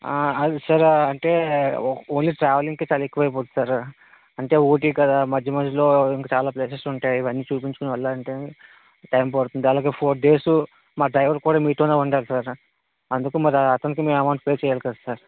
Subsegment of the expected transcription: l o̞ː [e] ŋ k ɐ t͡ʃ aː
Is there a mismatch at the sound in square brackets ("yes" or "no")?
yes